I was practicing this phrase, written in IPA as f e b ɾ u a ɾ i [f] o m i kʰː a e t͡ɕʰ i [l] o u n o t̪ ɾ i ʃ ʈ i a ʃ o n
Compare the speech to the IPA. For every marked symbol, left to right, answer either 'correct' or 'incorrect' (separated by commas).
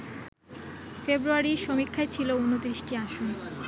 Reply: incorrect, correct